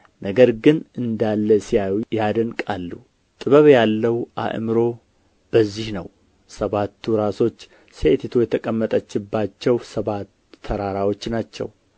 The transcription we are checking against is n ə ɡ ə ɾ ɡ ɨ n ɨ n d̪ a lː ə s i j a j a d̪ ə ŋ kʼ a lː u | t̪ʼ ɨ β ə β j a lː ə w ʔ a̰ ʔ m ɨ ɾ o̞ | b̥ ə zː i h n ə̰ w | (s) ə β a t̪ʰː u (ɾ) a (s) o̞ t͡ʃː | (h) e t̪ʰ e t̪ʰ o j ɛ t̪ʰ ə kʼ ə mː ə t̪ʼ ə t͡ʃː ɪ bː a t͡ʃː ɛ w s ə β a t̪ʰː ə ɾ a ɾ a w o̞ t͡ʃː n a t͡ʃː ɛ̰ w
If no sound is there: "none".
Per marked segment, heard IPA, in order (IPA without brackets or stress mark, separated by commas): s, ɾ, s, s